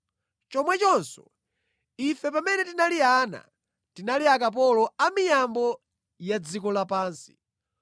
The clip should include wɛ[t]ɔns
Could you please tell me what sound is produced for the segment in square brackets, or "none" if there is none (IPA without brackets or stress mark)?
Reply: t͡ʃ